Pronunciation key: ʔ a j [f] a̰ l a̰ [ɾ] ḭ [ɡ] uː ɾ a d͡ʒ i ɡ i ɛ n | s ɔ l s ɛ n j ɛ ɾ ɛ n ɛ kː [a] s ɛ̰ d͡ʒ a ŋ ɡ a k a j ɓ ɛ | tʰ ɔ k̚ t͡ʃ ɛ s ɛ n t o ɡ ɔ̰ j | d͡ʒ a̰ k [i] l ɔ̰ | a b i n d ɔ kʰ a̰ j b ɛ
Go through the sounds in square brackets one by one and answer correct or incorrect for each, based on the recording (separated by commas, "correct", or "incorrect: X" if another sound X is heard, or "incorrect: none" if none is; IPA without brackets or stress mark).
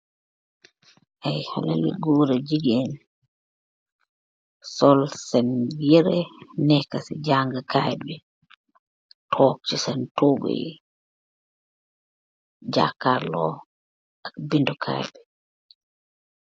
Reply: incorrect: h, incorrect: l, correct, correct, incorrect: a